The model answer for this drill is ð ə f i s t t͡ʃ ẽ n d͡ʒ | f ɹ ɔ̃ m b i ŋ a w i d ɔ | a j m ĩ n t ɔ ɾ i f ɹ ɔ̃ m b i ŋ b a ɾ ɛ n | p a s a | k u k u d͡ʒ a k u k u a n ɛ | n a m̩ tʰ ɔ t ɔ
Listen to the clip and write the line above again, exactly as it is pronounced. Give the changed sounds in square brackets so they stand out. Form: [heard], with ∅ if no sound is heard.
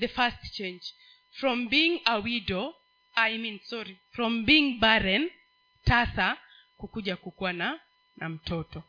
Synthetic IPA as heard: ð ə f [a] s t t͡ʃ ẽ n d͡ʒ | f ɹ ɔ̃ m b i ŋ a w i d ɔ | a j m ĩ n [s] ɔ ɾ i f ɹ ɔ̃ m b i ŋ b a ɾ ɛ n | [t] a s a | k u k u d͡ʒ a k u k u a n [a] | n a m̩ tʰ ɔ t ɔ